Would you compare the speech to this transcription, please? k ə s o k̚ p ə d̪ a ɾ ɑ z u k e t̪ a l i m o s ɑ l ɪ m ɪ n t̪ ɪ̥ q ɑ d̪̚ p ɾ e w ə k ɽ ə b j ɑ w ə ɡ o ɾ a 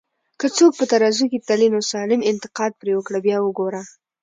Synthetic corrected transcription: k ə t͡s o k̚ p ə t̪ a ɾ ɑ z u k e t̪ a l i n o s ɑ l ɪ m ɪ n t̪ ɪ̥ q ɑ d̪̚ p ɾ e w ə k ɽ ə b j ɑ w ə ɡ o ɾ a